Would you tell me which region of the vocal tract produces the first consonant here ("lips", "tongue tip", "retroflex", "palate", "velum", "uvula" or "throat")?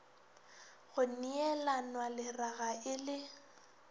velum